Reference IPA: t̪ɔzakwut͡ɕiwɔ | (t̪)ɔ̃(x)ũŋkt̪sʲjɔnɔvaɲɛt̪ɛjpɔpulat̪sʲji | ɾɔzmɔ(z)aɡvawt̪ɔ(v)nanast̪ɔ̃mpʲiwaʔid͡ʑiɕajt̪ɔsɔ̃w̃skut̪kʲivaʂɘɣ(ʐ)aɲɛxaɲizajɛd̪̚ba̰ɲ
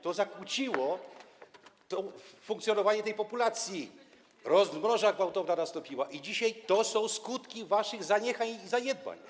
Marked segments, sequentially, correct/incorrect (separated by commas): correct, incorrect, incorrect, correct, incorrect